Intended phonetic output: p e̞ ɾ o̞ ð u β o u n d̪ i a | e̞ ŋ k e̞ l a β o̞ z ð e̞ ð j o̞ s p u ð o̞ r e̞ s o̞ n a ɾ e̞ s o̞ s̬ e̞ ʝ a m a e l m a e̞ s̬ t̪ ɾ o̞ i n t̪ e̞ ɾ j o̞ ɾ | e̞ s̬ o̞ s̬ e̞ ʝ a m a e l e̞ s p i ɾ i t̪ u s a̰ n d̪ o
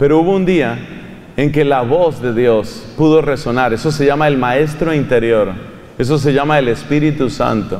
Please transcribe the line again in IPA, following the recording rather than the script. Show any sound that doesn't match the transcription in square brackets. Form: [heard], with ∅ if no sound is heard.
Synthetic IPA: p e̞ ɾ o̞ [∅] u β o u n d̪ i a | e̞ ŋ k e̞ l a β o̞ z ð e̞ ð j o̞ s p u ð o̞ r e̞ s o̞ n a ɾ e̞ s o̞ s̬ e̞ ʝ a m a e l m a e̞ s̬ t̪ ɾ o̞ i n t̪ e̞ ɾ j o̞ ɾ | e̞ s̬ o̞ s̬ e̞ ʝ a m a e l e̞ s p i ɾ i t̪ u s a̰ n [t̪] o